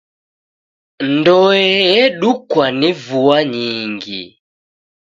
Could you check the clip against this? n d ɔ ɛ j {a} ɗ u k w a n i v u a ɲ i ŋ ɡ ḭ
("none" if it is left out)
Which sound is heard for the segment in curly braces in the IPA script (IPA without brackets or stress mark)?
ɛ